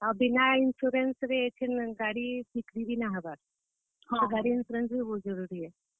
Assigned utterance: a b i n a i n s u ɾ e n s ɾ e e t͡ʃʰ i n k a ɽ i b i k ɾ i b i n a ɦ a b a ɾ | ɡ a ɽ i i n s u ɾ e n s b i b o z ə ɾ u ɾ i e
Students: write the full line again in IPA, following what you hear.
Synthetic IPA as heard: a b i n a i n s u ɾ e n s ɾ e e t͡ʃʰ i n ɡ a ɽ i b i k ɾ i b i n a ɦ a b a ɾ | ɡ a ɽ i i n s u ɾ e n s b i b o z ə ɾ u ɾ i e